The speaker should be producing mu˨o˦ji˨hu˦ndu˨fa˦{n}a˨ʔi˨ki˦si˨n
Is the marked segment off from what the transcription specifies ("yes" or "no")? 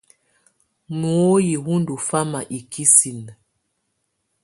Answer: yes